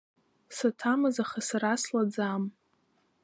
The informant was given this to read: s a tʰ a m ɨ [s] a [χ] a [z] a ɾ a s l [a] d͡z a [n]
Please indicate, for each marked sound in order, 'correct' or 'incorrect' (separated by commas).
incorrect, correct, incorrect, correct, incorrect